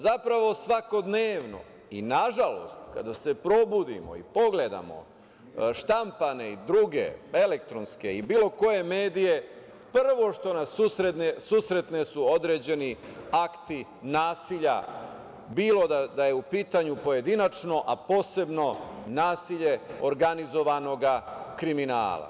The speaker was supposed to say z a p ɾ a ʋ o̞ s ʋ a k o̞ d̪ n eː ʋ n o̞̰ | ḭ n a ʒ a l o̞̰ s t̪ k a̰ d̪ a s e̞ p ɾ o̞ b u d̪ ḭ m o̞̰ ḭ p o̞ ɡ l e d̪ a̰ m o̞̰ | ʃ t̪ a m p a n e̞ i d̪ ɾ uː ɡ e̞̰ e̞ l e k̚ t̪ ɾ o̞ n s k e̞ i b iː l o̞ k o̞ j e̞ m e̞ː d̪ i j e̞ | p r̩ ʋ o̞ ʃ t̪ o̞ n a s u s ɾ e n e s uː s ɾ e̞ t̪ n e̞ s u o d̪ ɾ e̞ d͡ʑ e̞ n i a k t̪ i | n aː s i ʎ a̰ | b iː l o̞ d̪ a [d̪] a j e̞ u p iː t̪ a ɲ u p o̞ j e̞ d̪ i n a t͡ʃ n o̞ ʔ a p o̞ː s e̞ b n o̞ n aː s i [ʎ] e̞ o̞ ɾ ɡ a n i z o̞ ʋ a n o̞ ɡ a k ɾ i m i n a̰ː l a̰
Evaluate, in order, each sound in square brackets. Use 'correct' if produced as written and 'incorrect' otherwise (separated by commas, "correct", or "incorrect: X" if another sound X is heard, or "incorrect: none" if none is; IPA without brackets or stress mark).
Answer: correct, correct